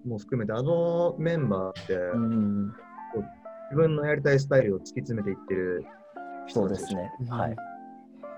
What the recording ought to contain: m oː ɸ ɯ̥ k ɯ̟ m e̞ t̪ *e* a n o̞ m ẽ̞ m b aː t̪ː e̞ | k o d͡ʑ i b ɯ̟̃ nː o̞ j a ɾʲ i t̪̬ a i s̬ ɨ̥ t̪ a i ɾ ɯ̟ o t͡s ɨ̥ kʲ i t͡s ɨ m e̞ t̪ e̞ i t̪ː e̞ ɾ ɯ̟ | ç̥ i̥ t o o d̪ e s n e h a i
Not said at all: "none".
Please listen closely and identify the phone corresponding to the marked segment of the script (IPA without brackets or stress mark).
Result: e